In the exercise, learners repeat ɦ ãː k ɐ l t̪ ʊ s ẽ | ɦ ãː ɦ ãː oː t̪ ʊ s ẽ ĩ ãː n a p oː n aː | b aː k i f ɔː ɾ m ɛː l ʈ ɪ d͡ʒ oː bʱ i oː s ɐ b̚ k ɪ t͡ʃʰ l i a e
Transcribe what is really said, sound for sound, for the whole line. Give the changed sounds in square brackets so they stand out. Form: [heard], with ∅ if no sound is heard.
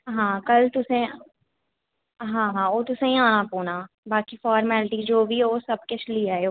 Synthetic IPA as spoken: ɦ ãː k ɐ l t̪ ʊ s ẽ | ɦ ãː ɦ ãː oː t̪ ʊ s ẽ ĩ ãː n a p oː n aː | b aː k i f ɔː ɾ m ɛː l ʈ [i] d͡ʒ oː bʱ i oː s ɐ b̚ k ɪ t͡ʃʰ l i a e